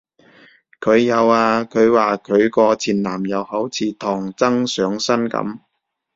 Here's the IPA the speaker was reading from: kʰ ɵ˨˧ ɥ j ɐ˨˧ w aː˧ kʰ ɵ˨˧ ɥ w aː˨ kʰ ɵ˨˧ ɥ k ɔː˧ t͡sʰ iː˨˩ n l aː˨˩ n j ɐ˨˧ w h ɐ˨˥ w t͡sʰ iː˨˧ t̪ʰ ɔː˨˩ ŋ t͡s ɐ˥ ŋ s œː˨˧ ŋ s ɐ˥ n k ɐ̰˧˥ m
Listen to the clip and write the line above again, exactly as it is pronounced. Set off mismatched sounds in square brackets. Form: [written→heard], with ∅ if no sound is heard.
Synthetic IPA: kʰ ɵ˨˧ ɥ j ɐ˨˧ w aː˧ kʰ ɵ˨˧ ɥ w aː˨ kʰ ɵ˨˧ ɥ k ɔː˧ t͡sʰ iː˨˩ n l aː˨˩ [n→m] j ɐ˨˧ w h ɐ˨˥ w t͡sʰ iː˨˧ t̪ʰ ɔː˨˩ ŋ t͡s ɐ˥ ŋ s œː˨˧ ŋ s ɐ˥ n k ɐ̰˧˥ m